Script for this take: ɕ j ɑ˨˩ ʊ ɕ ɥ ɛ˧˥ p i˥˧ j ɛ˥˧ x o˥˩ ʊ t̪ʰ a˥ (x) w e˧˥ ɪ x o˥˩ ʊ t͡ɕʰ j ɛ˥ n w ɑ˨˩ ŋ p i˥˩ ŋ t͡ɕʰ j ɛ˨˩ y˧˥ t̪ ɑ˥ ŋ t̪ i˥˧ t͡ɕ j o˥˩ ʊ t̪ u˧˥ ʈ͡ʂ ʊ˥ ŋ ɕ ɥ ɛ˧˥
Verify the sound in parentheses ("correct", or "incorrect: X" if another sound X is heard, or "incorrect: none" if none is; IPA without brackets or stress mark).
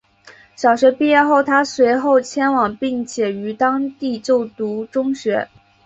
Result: incorrect: s